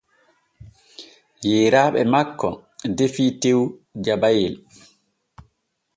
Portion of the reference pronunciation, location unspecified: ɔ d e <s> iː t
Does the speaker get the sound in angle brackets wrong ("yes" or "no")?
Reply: yes